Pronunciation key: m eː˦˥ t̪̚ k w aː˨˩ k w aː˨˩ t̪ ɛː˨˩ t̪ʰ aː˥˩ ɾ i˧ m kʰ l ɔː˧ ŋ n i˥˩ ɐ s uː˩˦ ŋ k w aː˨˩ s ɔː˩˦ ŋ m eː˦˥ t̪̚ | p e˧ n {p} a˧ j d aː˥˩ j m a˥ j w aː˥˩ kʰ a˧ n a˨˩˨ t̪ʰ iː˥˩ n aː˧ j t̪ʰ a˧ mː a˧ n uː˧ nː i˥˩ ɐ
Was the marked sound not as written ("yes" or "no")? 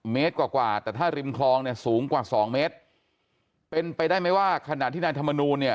no